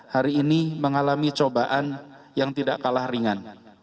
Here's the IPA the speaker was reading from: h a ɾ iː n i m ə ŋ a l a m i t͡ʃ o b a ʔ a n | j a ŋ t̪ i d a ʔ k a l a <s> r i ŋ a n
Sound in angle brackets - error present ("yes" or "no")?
yes